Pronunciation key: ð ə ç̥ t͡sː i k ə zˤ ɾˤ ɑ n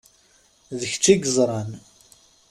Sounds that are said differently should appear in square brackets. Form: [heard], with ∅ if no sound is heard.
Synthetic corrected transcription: ð ə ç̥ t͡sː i [ɡ] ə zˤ ɾˤ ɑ n